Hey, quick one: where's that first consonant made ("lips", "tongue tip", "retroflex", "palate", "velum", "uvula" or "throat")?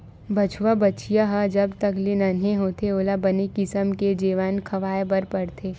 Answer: lips